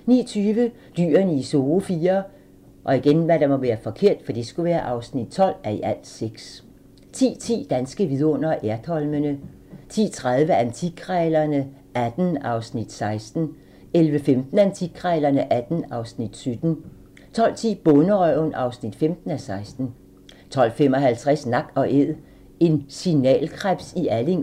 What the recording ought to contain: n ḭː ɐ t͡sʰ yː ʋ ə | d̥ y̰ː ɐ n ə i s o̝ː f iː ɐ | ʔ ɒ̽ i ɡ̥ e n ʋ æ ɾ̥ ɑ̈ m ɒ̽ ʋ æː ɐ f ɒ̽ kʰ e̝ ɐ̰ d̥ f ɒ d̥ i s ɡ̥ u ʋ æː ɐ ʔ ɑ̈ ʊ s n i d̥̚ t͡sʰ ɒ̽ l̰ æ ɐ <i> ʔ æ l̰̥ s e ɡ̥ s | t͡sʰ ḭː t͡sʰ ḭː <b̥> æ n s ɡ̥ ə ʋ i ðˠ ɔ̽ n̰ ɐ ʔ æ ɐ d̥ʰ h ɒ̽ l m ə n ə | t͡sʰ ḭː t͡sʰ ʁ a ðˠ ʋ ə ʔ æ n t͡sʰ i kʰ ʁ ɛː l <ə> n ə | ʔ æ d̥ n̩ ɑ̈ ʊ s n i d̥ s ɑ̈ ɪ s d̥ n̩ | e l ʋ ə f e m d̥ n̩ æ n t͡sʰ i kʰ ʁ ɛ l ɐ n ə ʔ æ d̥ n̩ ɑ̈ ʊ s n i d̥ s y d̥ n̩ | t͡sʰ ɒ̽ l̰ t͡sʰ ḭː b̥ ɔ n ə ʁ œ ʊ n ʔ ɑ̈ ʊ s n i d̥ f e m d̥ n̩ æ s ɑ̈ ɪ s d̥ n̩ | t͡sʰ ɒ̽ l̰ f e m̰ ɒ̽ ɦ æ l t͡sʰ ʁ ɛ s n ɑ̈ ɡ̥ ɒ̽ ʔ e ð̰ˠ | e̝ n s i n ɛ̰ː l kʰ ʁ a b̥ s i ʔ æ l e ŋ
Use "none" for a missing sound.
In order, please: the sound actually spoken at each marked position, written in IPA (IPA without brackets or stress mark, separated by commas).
i, d̥, ɐ